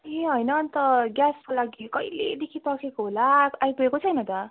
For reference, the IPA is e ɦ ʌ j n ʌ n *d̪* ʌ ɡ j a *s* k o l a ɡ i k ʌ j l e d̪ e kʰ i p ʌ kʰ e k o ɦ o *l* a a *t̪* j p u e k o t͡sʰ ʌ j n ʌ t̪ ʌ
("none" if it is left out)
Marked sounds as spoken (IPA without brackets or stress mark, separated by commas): t̪, s, l, none